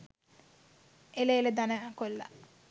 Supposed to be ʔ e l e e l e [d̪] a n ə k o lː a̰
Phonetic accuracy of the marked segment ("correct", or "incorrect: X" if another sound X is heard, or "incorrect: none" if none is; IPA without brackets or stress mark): correct